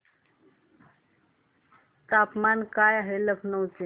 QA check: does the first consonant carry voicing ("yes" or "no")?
no